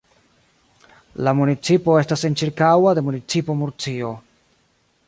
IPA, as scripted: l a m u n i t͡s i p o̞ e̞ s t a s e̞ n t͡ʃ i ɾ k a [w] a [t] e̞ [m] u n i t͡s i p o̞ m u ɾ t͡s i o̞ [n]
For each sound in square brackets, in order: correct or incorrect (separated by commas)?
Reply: correct, incorrect, correct, incorrect